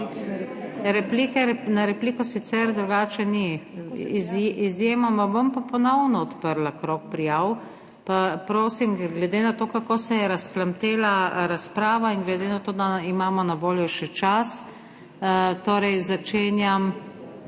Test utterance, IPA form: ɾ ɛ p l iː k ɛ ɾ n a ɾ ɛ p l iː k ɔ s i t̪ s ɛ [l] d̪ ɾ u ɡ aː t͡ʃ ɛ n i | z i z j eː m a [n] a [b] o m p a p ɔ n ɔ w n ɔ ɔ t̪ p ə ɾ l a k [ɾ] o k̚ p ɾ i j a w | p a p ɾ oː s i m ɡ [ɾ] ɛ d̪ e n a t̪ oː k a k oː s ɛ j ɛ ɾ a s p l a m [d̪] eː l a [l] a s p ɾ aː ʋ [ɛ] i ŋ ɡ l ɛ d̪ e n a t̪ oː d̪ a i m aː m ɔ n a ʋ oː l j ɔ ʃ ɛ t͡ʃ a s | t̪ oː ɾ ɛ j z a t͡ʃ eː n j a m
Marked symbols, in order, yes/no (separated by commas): no, no, yes, yes, no, no, no, no